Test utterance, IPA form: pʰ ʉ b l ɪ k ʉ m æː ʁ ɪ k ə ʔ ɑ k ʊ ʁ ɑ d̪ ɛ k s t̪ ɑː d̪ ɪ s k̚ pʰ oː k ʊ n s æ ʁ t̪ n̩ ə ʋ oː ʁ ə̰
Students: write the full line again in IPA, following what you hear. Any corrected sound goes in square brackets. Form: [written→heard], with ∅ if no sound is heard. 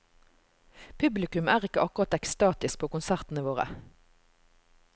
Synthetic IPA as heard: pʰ ʉ b l ɪ k ʉ m æː ʁ ɪ k ə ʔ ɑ k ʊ ʁ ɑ [d̪→t̪] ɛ k s t̪ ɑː [d̪→t̪] ɪ s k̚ pʰ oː k ʊ n s æ ʁ t̪ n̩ ə ʋ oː ʁ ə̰